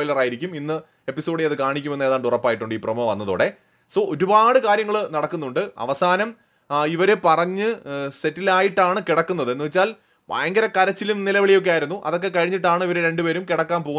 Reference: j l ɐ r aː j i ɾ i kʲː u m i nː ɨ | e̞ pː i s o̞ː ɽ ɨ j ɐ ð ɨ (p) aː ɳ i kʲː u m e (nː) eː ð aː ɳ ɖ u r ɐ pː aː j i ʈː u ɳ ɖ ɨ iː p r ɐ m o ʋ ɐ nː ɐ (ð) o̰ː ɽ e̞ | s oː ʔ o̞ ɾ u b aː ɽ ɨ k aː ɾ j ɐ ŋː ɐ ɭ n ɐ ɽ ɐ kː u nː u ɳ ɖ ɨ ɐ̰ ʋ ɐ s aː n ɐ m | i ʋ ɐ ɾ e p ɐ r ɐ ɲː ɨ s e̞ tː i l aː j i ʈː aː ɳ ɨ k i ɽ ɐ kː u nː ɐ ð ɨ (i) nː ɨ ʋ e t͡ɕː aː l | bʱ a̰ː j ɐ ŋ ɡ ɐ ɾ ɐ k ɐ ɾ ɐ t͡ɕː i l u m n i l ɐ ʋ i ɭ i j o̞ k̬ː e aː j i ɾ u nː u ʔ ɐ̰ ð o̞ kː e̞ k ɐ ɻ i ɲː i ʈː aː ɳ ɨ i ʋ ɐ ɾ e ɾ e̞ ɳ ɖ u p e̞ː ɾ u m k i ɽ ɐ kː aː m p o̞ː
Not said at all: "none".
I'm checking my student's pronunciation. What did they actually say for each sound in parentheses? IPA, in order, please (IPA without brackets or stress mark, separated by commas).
k, nː, ð, e